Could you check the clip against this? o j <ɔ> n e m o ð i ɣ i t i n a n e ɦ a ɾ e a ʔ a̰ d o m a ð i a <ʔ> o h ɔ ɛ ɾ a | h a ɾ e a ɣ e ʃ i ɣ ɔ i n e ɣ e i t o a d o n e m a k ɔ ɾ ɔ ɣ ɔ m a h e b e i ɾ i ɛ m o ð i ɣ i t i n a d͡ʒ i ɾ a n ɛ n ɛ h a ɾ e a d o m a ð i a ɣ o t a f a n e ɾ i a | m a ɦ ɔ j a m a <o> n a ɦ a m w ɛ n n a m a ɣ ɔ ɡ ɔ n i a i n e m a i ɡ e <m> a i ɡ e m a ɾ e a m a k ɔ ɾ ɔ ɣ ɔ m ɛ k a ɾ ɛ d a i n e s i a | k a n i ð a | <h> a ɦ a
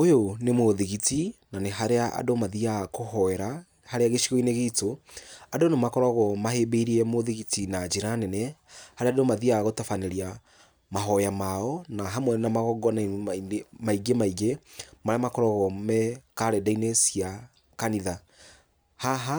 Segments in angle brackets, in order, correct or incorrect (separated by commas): incorrect, incorrect, incorrect, correct, correct